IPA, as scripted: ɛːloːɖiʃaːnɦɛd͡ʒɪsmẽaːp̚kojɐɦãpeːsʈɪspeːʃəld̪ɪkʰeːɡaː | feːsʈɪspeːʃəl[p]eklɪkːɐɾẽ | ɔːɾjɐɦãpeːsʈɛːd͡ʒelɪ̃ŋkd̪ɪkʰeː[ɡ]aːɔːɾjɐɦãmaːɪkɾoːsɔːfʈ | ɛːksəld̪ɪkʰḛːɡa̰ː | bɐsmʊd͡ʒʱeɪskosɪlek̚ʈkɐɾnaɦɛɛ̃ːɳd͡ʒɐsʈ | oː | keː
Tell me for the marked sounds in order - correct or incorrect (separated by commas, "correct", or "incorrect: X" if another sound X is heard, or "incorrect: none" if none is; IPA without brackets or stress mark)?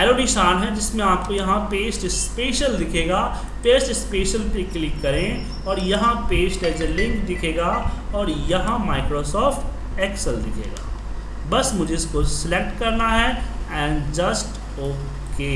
correct, correct